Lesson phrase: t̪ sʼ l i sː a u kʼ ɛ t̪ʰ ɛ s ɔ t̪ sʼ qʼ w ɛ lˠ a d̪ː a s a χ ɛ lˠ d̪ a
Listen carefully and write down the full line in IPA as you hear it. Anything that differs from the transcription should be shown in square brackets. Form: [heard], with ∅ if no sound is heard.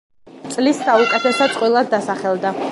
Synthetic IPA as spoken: t̪ sʼ l i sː a u kʼ ɛ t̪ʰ ɛ s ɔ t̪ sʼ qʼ w [i] lˠ a d̪ː a s a χ ɛ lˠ d̪ a